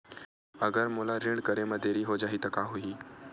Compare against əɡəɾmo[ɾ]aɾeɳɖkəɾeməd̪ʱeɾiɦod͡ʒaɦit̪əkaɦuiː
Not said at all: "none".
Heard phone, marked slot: l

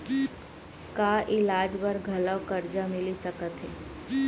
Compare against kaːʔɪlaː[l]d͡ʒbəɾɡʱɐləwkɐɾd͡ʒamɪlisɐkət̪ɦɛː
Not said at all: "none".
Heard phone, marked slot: none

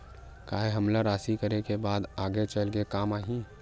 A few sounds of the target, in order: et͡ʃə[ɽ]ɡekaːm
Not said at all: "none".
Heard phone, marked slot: l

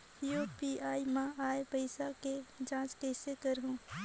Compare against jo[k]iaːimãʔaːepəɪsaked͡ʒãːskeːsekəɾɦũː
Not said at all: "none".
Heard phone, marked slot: p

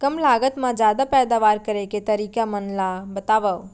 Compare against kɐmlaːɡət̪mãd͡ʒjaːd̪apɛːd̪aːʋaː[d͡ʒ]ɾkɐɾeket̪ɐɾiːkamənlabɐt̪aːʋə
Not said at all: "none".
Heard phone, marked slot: none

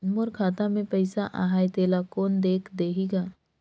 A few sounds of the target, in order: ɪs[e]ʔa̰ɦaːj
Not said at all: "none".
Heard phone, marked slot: a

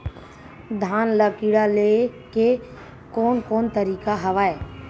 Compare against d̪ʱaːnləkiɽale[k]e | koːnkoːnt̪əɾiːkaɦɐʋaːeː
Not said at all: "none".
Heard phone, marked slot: k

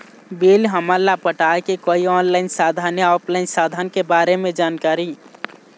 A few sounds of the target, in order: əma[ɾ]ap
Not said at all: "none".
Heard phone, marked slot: l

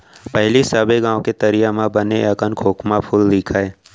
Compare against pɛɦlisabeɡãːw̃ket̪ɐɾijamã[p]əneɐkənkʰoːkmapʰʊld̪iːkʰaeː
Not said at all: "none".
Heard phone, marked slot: b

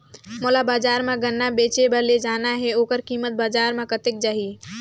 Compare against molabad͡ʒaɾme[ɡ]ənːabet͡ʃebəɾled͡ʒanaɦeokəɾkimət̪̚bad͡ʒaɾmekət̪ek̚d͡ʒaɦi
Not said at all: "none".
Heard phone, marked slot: ɡ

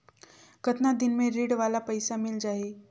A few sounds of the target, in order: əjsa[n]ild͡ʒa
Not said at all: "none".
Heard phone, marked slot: m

